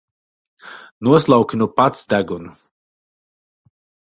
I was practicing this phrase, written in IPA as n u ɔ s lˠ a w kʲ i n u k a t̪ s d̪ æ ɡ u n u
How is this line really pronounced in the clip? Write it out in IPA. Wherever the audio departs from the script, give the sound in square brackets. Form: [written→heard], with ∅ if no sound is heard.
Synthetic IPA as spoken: n u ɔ s lˠ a w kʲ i n u [k→p] a t̪ s d̪ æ ɡ u n u